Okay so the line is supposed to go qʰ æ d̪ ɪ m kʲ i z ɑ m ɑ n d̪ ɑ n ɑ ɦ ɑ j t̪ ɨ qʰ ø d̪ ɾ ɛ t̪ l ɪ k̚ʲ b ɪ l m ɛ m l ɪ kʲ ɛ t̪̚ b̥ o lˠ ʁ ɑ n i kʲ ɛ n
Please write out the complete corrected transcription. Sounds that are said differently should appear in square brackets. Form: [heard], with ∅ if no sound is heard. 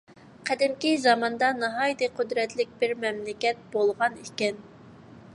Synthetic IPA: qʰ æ d̪ ɪ m kʲ i z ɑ m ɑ n d̪ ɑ n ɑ ɦ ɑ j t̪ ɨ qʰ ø d̪ ɾ ɛ t̪ l ɪ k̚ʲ b ɪ [ɾ] m ɛ m l ɪ kʲ ɛ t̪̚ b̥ o lˠ ʁ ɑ n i kʲ ɛ n